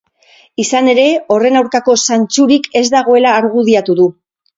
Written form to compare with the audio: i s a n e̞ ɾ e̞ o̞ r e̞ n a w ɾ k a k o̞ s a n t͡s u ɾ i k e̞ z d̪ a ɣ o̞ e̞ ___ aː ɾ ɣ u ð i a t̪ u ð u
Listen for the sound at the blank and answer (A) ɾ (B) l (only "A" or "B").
B